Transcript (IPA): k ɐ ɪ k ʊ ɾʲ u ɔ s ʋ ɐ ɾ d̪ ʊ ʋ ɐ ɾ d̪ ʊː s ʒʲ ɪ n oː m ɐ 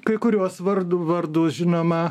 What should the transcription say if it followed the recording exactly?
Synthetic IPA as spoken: k ɐ ɪ k ʊ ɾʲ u ɔ s ʋ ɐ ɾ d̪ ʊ ʋ ɐ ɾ d̪ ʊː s ʒʲ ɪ n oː m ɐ